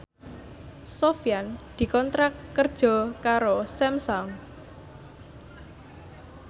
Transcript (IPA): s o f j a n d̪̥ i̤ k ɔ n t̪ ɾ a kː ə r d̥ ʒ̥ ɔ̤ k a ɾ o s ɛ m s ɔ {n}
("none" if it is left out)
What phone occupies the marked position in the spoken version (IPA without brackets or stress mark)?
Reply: ŋ